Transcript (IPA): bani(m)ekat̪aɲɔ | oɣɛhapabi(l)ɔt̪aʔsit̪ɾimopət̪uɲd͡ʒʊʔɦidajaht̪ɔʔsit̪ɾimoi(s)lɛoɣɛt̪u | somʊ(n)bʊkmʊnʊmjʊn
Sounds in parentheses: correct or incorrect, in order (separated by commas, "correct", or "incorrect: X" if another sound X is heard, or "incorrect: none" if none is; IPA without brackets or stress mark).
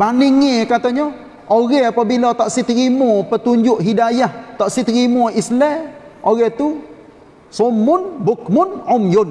incorrect: ŋ, correct, correct, correct